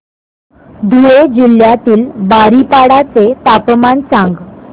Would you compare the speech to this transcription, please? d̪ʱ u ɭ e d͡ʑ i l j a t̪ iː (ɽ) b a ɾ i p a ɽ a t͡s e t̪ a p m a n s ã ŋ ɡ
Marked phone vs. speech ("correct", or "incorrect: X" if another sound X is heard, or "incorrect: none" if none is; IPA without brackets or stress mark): incorrect: l